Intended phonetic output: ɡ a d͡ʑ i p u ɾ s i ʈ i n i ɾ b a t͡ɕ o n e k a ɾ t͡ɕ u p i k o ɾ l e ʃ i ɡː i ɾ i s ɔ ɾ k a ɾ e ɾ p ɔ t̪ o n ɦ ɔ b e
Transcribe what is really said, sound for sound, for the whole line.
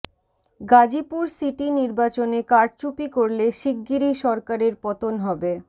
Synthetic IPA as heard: ɡ a d͡ʑ i p u ɾ s i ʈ i n i ɾ b a t͡ɕ o n e k a ɾ t͡ɕ u p i k o ɾ l e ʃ i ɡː i ɾ i ʃ ɔ ɾ k a ɾ e ɾ p ɔ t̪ o n ɦ ɔ b e